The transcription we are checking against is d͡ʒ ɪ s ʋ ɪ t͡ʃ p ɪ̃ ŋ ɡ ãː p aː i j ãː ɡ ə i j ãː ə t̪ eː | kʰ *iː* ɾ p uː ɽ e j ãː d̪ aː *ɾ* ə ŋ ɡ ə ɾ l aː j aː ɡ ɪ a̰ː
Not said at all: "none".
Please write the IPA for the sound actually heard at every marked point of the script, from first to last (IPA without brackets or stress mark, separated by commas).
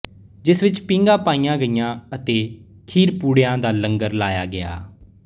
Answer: iː, l